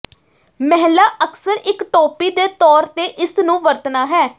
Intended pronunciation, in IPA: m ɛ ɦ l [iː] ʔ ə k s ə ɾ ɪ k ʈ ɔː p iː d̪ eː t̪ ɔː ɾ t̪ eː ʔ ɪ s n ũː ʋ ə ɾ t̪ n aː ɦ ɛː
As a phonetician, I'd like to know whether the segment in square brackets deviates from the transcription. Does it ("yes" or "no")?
yes